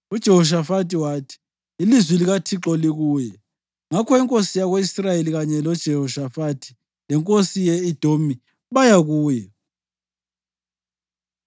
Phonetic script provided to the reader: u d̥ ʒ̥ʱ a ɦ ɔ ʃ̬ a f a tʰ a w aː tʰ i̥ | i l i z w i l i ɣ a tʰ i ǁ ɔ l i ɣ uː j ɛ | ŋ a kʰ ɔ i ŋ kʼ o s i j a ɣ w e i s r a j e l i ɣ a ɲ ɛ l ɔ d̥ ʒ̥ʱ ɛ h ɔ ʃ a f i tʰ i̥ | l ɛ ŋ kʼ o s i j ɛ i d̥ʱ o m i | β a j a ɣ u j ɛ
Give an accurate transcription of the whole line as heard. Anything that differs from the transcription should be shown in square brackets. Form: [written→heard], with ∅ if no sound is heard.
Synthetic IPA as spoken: u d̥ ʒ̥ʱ [a→ɛ] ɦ ɔ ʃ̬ a f a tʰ [a→i] w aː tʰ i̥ | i l i z w i l i ɣ a tʰ i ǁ ɔ l i ɣ uː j ɛ | ŋ a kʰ ɔ i ŋ kʼ o s i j a ɣ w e i s r a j e l i ɣ a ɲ ɛ l ɔ d̥ ʒ̥ʱ ɛ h ɔ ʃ a f [i→a] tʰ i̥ | l ɛ ŋ kʼ o s i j ɛ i d̥ʱ o m i | β a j a ɣ [u→uː] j ɛ